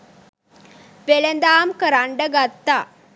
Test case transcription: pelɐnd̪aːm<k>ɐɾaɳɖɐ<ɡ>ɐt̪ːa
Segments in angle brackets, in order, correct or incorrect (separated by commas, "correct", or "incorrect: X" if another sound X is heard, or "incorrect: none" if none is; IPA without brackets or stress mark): correct, correct